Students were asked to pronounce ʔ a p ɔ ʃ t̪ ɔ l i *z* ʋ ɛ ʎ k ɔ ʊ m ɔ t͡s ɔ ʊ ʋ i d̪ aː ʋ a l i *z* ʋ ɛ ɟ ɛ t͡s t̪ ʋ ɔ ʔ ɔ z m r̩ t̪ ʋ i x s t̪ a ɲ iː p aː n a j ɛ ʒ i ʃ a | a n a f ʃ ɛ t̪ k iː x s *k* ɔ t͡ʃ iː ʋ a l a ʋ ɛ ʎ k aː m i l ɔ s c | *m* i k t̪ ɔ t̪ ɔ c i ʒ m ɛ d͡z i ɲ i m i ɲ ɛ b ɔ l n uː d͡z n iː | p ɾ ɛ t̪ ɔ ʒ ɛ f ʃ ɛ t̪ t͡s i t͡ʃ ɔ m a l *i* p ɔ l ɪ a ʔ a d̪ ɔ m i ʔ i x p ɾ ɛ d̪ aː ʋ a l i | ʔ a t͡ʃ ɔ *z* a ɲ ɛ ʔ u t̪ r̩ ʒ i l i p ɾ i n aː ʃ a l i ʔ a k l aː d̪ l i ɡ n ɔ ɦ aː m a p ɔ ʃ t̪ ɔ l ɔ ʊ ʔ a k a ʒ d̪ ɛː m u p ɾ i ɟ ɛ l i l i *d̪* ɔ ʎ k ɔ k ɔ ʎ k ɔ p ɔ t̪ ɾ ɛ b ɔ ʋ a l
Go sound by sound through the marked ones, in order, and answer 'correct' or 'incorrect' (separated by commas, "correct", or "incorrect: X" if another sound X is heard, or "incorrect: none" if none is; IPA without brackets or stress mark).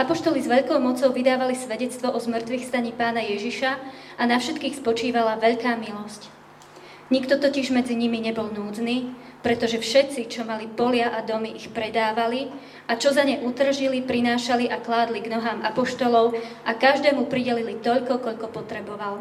correct, incorrect: s, incorrect: p, incorrect: ɲ, correct, correct, incorrect: t̪